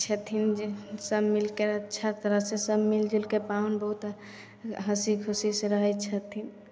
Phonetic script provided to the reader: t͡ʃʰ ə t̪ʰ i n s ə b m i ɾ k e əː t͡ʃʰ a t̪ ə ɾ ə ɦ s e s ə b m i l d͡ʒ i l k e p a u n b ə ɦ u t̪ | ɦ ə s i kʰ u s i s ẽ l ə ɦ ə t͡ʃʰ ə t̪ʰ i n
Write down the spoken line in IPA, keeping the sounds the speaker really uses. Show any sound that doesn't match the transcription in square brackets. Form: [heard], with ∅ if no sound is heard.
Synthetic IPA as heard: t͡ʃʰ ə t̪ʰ i n s ə b m i [l] k e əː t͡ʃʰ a t̪ ə ɾ ə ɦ s e s ə b m i l d͡ʒ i l k e p a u n b ə ɦ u t̪ | ɦ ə s i kʰ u s i s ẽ [ɾ] ə ɦ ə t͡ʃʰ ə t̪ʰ i n